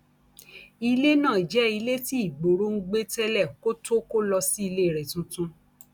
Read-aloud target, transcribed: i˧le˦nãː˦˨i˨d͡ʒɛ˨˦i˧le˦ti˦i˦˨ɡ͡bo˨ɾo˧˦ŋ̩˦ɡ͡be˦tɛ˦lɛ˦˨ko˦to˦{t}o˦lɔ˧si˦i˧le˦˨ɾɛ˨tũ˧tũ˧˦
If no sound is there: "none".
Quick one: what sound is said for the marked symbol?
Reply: k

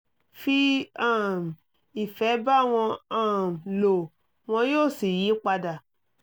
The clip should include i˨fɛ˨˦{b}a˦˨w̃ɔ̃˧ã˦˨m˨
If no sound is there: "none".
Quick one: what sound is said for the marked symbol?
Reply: b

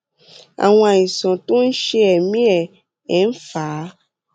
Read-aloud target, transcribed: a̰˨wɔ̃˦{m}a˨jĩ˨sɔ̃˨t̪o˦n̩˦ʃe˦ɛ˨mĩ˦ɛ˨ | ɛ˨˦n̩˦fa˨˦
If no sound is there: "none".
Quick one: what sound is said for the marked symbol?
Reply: none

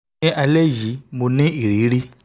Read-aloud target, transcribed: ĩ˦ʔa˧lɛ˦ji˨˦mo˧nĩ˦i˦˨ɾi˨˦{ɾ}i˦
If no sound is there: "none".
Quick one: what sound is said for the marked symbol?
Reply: ɾ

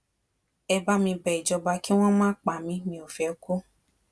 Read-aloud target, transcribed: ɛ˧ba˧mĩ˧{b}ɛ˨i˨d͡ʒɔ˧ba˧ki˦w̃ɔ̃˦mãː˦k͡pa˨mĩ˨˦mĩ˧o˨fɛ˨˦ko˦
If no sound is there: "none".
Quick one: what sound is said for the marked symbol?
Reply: b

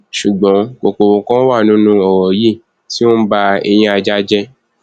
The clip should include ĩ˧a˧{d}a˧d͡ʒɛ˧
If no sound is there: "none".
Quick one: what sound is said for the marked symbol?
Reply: d͡ʒ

